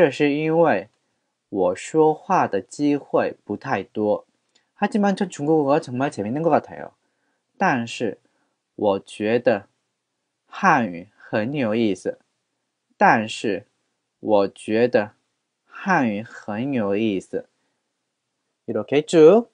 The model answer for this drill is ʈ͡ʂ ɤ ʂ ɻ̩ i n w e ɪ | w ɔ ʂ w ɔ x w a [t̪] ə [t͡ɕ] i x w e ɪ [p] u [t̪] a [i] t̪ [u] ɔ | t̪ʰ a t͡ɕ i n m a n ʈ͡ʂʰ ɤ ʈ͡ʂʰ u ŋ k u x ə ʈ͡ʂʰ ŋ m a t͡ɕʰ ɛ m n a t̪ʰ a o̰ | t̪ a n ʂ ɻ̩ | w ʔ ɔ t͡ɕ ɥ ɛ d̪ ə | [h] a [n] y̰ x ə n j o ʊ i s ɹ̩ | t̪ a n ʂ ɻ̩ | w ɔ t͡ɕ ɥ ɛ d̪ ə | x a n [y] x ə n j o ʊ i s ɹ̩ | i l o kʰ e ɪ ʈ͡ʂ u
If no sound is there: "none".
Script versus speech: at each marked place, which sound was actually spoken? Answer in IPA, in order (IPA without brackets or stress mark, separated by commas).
d̪, t͡ɕ, p, t̪ʰ, ɪ, w, x, n, y